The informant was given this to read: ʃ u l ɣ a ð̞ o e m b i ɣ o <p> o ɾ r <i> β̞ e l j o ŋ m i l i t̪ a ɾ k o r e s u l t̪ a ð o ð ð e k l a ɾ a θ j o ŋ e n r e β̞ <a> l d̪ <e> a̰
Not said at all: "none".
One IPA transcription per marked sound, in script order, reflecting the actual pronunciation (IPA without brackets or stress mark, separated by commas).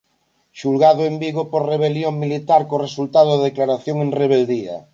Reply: p, e, e, i